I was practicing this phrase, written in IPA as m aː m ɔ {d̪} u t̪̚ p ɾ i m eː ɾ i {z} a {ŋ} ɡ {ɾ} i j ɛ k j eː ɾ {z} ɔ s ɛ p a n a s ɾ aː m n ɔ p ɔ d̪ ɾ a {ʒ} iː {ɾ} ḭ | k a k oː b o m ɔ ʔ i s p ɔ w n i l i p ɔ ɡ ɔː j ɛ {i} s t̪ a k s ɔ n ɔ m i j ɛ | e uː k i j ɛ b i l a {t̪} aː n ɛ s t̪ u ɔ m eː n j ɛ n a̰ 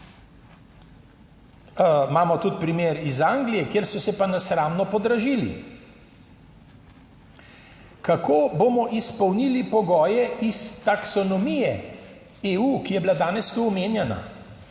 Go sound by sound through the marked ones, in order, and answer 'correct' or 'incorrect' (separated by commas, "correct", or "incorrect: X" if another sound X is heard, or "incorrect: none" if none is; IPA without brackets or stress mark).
incorrect: t̪, correct, correct, incorrect: l, incorrect: s, correct, incorrect: l, correct, incorrect: d̪